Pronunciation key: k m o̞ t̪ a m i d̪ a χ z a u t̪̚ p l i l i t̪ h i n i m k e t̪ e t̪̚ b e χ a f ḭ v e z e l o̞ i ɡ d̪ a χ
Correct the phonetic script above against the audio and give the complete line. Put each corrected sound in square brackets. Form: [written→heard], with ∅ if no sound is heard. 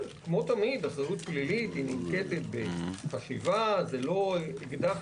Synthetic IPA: k m o̞ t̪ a m i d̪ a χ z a u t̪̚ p l i l i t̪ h i n i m k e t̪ e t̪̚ b e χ a [f→ʃ] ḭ v [e→a] z e l o̞ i ɡ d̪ a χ